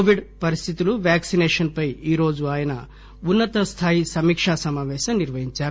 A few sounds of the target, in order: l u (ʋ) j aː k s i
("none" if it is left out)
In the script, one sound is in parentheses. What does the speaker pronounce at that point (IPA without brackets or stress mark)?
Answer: ʋ